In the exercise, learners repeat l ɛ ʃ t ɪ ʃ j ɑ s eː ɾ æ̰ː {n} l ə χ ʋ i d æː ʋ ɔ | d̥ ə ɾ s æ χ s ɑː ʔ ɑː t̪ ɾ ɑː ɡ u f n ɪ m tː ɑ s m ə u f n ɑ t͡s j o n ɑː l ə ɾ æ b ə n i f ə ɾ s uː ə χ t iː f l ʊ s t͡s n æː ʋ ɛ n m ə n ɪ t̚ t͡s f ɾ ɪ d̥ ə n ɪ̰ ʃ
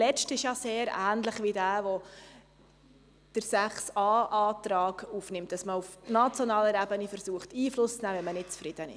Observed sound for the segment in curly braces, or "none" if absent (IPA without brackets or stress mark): n